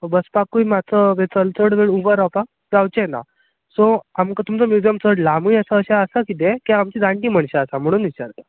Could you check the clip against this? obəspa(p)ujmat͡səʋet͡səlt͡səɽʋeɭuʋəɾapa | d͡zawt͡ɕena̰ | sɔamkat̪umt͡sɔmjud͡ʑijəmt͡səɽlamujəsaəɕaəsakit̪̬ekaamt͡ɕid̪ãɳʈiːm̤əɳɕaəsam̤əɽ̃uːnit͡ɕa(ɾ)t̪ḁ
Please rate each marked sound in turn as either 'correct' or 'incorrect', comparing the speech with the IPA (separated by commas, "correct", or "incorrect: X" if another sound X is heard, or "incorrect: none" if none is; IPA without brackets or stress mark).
incorrect: k, correct